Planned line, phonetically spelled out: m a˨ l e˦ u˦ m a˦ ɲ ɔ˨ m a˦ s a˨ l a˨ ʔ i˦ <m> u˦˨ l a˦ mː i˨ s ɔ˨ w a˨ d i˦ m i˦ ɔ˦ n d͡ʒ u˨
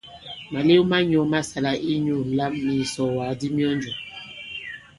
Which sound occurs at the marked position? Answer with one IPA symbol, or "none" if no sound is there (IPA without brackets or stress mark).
ɲ